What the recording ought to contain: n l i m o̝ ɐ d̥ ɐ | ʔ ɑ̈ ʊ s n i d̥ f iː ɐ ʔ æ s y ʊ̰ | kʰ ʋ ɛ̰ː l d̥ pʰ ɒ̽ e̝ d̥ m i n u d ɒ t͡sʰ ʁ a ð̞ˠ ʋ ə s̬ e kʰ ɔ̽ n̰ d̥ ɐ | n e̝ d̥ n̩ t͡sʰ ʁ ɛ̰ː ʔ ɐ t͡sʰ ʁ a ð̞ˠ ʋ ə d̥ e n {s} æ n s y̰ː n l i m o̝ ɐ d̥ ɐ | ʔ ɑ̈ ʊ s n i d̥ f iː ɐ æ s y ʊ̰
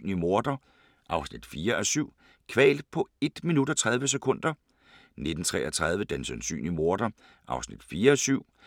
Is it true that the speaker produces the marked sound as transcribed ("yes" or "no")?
yes